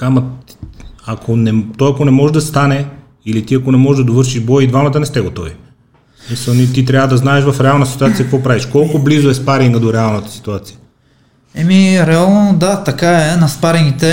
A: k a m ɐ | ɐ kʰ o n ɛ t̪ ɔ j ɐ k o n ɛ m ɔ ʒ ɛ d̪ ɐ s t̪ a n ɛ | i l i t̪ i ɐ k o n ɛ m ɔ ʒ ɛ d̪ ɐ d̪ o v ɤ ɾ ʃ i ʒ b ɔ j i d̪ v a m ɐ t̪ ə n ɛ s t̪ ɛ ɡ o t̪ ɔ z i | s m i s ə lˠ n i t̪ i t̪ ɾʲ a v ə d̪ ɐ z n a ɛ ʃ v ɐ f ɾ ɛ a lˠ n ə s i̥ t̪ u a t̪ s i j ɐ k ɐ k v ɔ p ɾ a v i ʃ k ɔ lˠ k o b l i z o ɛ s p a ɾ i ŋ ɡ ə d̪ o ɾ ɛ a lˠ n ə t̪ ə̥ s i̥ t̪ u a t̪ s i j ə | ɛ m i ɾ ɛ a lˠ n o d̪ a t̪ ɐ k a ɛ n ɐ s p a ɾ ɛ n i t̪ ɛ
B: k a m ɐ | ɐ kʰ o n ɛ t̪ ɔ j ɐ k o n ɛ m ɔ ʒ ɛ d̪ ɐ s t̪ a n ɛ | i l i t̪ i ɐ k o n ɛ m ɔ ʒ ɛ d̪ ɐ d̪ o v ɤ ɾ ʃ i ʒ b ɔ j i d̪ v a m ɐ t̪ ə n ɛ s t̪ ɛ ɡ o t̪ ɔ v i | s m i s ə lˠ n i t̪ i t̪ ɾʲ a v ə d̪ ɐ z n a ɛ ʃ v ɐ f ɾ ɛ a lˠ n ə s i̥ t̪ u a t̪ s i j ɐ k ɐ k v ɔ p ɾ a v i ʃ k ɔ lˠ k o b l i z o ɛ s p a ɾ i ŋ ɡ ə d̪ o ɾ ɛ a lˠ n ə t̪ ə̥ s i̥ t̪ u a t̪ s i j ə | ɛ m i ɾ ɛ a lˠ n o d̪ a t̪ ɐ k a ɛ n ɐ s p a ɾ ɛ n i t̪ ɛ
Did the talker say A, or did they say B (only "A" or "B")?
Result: B